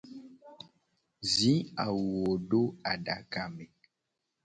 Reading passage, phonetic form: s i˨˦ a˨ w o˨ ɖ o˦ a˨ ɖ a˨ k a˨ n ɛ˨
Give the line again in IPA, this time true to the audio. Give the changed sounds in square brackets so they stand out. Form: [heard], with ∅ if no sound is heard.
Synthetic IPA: [z] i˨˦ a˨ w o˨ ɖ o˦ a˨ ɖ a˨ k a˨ [m] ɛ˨

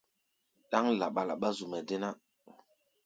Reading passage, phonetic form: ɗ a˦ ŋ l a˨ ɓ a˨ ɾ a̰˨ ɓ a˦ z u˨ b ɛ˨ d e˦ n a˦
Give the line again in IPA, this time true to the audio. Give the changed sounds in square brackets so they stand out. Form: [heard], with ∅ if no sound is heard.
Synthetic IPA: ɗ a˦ ŋ l a˨ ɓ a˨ [l] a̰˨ ɓ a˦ z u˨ [m] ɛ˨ d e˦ n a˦

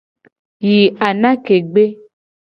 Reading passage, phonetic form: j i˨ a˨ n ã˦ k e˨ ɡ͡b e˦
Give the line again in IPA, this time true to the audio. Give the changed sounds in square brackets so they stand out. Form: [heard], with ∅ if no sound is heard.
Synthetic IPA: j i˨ a˨ n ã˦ k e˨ ɡ͡b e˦

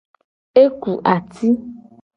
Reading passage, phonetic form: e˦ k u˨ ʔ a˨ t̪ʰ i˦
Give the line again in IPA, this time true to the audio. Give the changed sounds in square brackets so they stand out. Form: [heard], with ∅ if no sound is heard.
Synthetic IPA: e˦ k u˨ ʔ a˨ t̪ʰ i˦

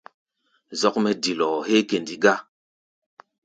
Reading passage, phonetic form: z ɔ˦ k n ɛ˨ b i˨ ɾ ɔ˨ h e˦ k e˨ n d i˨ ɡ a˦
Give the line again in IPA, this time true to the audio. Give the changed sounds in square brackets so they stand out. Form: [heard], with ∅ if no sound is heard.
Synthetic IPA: z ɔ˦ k [m] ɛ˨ [d] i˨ [l] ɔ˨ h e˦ k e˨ n d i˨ ɡ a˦

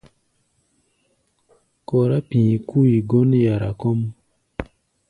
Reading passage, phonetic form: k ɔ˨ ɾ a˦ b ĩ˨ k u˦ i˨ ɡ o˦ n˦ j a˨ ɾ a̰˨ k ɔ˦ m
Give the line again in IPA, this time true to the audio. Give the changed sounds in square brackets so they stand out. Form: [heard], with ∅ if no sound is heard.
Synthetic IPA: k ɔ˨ ɾ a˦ [p] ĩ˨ k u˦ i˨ ɡ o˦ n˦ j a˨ ɾ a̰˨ k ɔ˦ m

